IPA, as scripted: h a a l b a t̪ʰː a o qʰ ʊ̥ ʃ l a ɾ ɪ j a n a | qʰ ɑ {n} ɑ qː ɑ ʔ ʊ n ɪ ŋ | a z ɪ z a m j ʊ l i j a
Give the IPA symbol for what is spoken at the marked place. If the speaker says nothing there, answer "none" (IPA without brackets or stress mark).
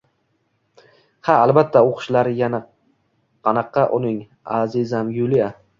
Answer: n